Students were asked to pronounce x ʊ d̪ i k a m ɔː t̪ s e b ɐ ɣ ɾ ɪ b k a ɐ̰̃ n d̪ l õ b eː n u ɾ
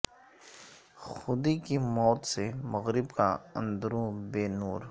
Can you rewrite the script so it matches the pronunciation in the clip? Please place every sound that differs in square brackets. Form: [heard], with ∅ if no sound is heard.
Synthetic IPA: x ʊ d̪ i k [i] m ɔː t̪ s e [m] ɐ ɣ ɾ ɪ b k a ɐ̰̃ n d̪ [ɾ] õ b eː n [uː] ɾ